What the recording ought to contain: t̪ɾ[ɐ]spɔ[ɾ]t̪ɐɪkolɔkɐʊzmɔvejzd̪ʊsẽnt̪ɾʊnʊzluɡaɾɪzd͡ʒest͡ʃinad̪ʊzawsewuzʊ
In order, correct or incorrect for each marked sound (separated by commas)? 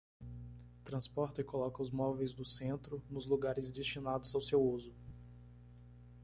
incorrect, correct